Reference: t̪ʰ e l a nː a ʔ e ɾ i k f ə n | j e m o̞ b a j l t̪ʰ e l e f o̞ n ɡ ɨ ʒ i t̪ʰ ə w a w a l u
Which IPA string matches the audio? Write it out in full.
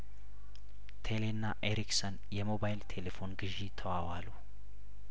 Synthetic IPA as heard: t̪ʰ e l e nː a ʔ e ɾ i k s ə n | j ɛ m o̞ b a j l t̪ʰ e l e f o̞ n ɡ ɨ ʒ i t̪ʰ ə w a w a l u